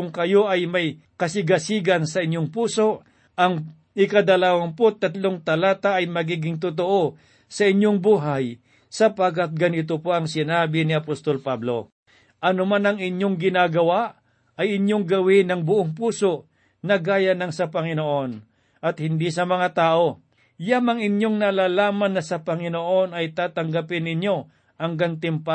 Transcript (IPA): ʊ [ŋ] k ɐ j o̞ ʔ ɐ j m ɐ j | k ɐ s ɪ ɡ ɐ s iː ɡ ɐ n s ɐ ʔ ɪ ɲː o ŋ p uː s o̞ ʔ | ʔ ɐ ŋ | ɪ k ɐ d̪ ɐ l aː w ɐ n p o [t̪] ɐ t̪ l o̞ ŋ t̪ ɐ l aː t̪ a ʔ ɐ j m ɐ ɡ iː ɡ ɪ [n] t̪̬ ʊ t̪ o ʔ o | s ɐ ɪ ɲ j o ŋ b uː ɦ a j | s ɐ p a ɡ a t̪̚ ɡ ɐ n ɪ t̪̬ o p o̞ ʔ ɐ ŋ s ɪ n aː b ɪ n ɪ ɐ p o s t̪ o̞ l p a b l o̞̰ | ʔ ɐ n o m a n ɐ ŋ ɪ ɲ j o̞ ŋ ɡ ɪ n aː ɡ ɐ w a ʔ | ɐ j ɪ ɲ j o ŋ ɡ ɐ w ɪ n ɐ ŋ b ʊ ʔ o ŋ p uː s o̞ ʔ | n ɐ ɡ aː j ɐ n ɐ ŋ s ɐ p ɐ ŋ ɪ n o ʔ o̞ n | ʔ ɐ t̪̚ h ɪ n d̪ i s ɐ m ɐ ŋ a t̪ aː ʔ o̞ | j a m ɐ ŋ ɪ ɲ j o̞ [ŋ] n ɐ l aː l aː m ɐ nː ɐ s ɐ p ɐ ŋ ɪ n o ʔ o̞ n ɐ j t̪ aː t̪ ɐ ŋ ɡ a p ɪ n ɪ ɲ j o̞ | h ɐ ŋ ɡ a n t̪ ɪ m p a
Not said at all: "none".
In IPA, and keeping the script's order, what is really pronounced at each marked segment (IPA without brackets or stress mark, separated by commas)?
ŋ, t̪, ŋ, ŋ